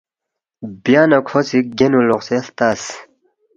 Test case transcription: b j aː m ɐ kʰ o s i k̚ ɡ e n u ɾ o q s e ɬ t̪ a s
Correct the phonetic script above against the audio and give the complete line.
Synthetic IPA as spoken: b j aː n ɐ kʰ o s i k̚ ɡ e n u l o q s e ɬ t̪ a s